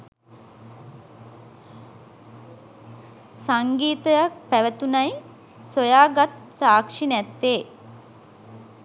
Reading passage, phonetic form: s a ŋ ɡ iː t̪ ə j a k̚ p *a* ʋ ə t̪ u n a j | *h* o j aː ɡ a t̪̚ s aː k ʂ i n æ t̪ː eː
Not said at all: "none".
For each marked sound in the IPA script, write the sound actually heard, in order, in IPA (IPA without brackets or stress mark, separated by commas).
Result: æ, s